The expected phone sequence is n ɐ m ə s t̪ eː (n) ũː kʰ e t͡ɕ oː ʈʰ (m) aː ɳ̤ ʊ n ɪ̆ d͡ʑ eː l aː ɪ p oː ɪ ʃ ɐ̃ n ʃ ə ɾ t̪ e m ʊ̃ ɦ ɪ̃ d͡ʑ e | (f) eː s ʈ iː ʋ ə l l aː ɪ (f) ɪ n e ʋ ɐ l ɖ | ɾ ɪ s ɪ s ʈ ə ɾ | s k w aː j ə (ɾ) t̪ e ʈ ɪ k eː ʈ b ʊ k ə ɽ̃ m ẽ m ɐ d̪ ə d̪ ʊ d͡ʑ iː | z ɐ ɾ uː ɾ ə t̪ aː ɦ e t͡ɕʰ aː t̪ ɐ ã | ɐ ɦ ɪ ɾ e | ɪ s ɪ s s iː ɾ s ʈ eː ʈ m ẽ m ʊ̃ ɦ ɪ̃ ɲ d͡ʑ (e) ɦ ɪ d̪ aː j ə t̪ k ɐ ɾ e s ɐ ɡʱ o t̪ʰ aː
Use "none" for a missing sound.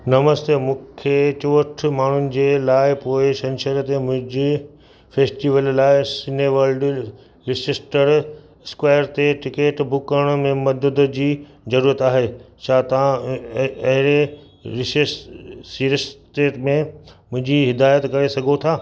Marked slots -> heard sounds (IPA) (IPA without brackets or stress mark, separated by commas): m, m, f, s, ɾ, i